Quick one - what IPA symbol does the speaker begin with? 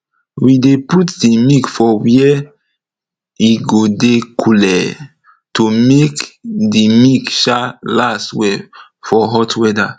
w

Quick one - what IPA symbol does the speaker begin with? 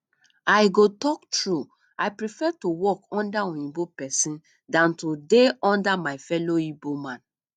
a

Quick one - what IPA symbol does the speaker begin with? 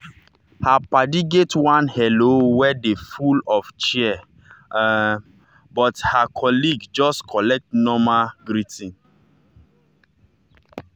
h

